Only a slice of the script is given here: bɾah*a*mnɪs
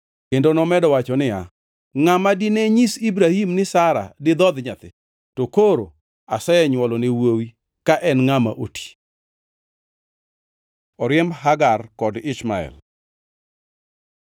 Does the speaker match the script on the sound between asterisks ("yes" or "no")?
no